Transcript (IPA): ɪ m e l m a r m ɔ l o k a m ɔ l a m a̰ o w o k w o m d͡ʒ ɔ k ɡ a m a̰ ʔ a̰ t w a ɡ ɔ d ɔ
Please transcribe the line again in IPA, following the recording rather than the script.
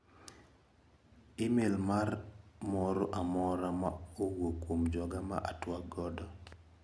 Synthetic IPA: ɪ m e l m a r m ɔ ɾ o ʔ a m ɔ ɾ a m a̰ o w o k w o m d͡ʒ ɔ ɡ a m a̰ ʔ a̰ t w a ɡ ɔ d ɔ